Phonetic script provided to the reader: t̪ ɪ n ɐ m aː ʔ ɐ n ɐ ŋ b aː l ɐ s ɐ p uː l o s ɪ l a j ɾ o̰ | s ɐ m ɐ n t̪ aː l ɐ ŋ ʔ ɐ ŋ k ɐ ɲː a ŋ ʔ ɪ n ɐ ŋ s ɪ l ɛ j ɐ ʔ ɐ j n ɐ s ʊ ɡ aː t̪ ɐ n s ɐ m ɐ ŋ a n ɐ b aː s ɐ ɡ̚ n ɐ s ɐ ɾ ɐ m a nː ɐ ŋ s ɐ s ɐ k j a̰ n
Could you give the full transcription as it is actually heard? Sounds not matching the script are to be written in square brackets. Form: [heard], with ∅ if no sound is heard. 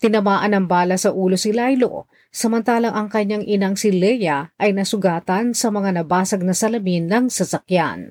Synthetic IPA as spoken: t̪ ɪ n ɐ m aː ʔ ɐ n ɐ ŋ b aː l ɐ s ɐ [ʔ] uː l o s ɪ l a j [l] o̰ | s ɐ m ɐ n t̪ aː l ɐ ŋ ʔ ɐ ŋ k ɐ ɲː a ŋ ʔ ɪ n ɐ ŋ s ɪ l ɛ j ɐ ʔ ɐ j n ɐ s ʊ ɡ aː t̪ ɐ n s ɐ m ɐ ŋ a n ɐ b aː s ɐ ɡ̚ n ɐ s ɐ [l] ɐ m [i] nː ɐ ŋ s ɐ s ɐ k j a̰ n